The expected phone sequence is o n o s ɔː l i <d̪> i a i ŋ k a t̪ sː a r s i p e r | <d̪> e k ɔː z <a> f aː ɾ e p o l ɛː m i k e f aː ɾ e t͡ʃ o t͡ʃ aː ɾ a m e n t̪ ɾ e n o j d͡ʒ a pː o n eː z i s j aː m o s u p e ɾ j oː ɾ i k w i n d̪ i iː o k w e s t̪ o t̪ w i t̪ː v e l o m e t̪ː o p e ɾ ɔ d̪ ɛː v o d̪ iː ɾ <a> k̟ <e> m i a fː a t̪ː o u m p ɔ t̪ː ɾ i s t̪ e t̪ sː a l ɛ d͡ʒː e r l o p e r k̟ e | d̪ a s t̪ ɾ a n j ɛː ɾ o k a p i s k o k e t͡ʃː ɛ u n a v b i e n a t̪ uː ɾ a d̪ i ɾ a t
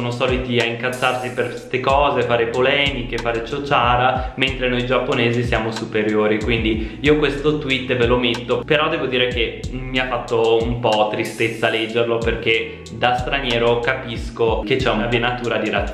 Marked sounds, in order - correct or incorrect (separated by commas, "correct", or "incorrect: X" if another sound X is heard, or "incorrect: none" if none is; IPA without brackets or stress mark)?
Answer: incorrect: t̪, incorrect: t̪, incorrect: e, incorrect: e, correct